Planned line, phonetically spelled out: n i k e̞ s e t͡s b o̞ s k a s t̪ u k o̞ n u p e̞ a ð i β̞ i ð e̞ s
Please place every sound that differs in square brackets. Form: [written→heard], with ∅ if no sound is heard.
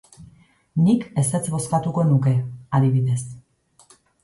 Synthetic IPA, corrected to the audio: n i k e̞ s e t͡s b o̞ s k a [s→∅] t̪ u k o̞ n u [p→k] e̞ a ð i β̞ i ð e̞ s